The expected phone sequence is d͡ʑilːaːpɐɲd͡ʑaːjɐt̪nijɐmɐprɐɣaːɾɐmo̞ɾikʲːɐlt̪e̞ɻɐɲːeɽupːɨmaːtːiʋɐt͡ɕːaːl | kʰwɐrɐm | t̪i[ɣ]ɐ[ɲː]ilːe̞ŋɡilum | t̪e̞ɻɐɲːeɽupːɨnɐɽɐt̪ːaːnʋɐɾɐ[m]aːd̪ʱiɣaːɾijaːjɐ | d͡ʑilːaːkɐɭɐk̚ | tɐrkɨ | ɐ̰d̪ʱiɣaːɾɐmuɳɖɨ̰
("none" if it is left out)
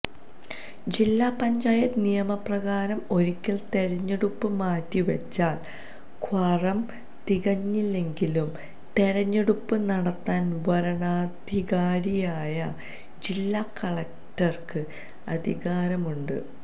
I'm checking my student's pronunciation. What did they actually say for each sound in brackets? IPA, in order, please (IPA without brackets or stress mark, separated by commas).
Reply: ɣ, ɲː, ɳ